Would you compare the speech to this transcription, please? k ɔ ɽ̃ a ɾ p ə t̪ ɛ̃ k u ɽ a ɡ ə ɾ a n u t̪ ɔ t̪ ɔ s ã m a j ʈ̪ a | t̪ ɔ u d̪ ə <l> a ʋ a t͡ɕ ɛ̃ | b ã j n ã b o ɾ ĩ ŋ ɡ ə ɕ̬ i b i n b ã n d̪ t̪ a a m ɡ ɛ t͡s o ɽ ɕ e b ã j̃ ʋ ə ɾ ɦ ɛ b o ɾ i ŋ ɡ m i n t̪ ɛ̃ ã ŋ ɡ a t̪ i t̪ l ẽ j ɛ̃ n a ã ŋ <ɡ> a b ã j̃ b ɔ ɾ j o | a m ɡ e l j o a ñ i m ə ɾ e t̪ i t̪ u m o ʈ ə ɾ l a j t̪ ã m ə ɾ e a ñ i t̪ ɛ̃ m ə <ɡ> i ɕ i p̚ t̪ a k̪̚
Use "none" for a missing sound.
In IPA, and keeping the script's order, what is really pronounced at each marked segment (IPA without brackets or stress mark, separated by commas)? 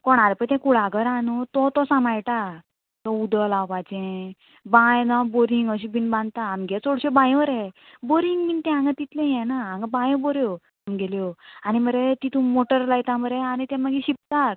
l, ɡ, ɡ